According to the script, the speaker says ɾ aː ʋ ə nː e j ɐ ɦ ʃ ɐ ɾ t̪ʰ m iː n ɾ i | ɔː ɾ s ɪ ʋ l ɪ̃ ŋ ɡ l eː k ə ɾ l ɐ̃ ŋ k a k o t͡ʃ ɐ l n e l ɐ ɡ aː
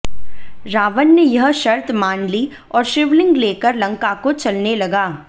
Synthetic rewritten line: ɾ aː ʋ ə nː e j ɐ ɦ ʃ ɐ ɾ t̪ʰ m aː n l i | ɔː ɾ ʃ ɪ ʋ l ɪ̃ ŋ ɡ l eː k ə ɾ l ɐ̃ ŋ k a k o t͡ʃ ɐ l n e l ɐ ɡ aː